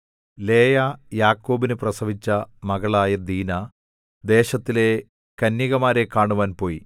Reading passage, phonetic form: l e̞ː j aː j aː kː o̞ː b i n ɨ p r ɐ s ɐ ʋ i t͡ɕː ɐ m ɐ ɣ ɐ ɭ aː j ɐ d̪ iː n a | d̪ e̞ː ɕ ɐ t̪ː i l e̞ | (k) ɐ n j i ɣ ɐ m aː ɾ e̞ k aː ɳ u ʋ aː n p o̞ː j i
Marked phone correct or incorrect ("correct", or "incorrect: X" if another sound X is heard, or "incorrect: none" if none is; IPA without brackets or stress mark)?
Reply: correct